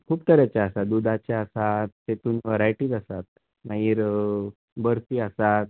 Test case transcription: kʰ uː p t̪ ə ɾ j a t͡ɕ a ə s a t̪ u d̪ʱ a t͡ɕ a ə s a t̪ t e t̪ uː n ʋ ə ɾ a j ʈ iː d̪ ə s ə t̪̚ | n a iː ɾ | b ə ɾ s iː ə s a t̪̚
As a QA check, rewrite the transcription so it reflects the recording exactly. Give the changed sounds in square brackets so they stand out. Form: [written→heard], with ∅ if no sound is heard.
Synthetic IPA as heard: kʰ uː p t̪ ə ɾ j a t͡ɕ a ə s a [t̪→d̪] u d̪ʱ a t͡ɕ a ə s a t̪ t e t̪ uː n ʋ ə ɾ a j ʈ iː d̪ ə s [ə→a] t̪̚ | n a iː ɾ | b ə ɾ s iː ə s a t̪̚